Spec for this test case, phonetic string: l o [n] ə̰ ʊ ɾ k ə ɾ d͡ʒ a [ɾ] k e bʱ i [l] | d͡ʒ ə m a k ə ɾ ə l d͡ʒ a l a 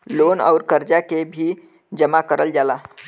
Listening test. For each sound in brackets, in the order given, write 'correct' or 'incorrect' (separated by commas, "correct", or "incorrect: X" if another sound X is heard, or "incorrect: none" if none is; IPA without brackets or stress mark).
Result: correct, incorrect: none, incorrect: none